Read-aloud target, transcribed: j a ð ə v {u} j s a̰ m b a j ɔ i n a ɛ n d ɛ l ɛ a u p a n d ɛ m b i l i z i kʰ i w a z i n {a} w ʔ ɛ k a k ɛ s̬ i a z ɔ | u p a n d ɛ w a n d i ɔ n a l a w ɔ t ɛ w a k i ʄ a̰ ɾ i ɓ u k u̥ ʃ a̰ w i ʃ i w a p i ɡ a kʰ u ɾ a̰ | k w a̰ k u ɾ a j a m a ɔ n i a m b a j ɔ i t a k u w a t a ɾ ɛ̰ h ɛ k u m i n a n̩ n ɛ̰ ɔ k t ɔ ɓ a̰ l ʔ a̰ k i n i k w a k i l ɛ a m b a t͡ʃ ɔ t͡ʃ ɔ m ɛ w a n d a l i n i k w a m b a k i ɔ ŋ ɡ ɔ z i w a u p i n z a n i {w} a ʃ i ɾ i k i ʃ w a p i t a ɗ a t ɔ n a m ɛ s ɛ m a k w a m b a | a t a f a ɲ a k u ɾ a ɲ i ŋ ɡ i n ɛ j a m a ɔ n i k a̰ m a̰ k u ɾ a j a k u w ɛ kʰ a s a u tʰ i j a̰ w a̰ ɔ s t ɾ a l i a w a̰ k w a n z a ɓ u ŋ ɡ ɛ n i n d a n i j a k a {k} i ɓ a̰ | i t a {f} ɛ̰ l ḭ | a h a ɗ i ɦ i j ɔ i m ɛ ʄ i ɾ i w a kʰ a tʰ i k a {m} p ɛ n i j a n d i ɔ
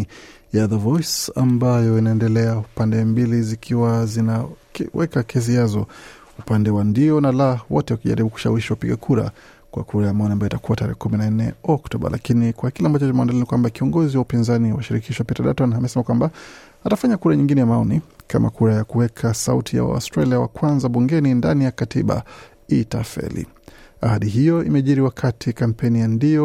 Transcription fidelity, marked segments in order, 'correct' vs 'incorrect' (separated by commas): incorrect, correct, correct, incorrect, correct, correct